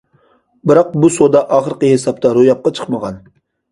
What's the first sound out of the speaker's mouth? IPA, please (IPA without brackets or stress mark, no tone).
b